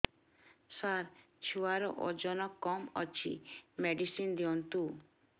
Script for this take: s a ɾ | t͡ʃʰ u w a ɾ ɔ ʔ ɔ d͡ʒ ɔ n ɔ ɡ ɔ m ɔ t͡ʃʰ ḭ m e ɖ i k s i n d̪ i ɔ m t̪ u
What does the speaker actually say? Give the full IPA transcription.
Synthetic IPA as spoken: s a ɾ | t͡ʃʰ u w a ɾ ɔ ʔ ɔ d͡ʒ ɔ n ɔ k ɔ m ɔ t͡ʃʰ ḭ m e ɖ i s i n d̪ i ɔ n t̪ u